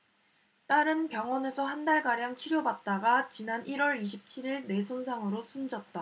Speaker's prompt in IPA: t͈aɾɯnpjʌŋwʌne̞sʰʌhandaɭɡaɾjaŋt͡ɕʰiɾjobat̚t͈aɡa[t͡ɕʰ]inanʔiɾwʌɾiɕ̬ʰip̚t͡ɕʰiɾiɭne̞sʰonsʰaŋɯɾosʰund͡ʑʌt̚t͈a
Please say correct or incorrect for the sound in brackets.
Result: incorrect: t͡ɕ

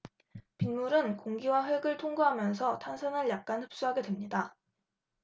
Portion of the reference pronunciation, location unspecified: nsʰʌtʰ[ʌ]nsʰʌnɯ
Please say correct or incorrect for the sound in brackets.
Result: incorrect: a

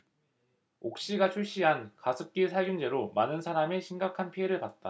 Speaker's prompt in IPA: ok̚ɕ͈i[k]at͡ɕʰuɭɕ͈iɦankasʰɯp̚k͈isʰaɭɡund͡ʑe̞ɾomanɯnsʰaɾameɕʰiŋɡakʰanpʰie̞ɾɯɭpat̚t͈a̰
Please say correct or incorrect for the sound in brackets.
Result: incorrect: ɡ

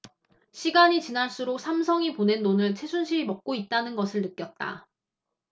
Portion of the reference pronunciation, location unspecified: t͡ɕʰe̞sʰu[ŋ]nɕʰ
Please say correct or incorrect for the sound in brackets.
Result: incorrect: none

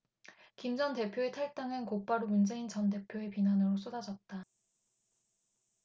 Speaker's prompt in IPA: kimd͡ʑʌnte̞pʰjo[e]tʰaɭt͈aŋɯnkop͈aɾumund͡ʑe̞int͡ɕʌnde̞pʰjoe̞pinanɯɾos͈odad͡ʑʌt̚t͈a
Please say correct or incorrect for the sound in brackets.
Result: correct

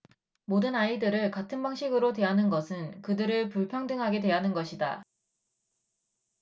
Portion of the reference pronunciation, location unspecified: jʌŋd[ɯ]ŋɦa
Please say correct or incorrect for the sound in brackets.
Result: correct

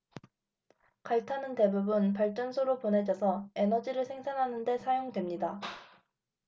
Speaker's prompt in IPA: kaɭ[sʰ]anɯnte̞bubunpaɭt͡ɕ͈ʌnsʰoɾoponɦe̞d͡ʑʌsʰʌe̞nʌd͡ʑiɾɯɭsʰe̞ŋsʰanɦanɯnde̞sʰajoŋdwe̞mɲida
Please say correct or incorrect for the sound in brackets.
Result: incorrect: tʰ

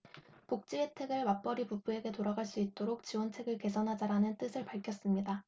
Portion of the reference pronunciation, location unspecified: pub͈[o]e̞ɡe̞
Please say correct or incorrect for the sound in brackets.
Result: incorrect: u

